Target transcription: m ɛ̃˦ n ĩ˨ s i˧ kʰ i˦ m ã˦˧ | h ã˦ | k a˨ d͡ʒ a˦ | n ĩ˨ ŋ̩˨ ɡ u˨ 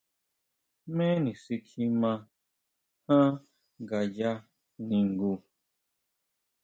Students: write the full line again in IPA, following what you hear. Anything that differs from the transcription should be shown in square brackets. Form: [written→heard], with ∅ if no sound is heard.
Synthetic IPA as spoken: m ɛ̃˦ n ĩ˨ s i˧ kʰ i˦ m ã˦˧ | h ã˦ | [k→ɡ] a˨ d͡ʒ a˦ | n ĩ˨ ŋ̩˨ ɡ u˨